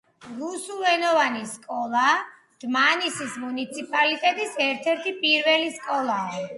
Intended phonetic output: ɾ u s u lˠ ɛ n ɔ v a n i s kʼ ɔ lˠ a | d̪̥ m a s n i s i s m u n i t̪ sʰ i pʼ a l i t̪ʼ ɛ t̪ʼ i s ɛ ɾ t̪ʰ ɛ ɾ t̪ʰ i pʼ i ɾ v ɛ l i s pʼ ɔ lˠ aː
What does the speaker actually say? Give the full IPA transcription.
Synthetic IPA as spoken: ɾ u s u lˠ ɛ n ɔ v a n i s kʼ ɔ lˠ a | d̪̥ m a n i s i s m u n i t̪ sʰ i pʼ a l i t̪ʼ ɛ t̪ʼ i s ɛ ɾ t̪ʰ ɛ ɾ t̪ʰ i pʼ i ɾ v ɛ l i s kʼ ɔ lˠ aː